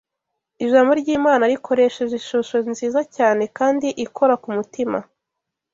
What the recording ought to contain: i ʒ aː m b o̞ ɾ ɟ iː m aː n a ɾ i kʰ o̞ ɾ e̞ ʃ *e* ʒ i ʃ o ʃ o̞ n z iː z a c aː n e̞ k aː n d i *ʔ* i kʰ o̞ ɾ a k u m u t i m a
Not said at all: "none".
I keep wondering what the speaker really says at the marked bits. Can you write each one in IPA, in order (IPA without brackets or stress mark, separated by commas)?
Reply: e, ʔ